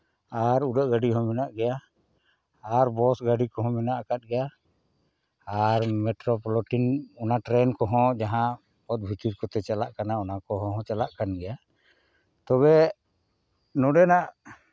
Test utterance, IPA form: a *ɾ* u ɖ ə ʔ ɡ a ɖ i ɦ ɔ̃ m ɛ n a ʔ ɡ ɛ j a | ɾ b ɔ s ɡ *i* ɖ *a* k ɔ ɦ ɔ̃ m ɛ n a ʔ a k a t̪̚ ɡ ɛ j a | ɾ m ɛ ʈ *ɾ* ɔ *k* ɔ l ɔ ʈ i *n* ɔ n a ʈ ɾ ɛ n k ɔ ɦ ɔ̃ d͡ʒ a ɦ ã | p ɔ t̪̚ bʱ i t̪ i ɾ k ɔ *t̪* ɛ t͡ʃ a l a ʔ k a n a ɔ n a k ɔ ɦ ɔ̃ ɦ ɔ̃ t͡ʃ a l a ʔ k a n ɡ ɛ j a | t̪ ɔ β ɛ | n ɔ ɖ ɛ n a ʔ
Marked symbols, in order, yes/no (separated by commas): yes, no, no, yes, no, yes, yes